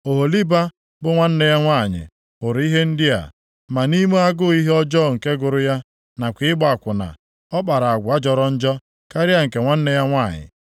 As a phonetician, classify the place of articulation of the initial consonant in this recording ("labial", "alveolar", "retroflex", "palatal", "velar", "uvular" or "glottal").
glottal